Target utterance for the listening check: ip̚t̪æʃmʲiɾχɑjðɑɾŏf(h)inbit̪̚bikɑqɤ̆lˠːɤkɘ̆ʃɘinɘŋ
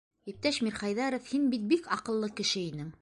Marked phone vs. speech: correct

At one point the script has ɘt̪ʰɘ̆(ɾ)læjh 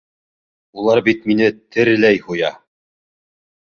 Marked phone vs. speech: correct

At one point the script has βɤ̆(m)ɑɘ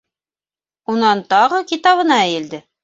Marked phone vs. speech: incorrect: n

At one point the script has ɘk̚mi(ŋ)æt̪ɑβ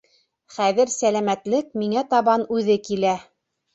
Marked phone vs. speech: correct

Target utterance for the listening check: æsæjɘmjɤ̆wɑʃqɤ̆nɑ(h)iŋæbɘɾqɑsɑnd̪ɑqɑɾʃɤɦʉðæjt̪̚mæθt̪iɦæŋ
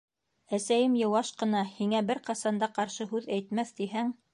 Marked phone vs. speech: correct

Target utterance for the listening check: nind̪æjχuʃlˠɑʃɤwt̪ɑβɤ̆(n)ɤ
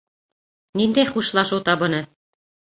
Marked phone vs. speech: correct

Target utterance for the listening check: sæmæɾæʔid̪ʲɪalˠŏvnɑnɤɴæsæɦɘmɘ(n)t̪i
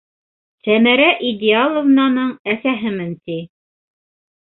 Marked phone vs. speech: correct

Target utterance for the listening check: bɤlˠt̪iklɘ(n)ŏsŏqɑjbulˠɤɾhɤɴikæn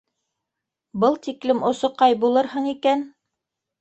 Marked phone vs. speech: incorrect: m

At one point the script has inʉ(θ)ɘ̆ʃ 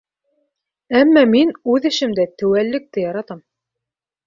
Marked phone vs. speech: incorrect: ð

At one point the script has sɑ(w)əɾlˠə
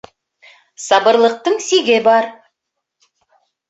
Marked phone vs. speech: incorrect: b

